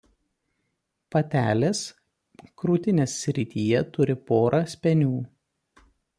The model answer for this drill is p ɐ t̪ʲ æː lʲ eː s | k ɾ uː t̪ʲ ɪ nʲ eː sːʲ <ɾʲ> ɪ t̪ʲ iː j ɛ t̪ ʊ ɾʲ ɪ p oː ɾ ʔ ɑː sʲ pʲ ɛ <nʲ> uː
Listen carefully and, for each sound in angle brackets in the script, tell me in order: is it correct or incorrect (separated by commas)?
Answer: correct, correct